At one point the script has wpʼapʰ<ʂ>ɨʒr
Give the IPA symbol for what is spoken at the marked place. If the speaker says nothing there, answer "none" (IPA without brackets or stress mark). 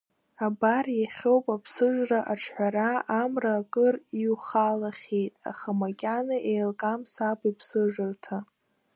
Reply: s